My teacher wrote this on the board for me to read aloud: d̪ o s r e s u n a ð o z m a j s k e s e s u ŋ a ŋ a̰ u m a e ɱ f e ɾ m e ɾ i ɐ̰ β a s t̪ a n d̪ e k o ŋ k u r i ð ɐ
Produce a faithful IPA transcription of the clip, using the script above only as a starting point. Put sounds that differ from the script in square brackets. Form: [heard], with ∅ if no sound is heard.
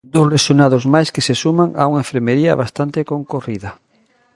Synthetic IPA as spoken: d̪ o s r e s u n a ð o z m a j s k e s e s u [m] a ŋ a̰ u [ŋ] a e ɱ f e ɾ m e ɾ i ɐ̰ β a s t̪ a n [t̪] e k o ŋ k [o] r i ð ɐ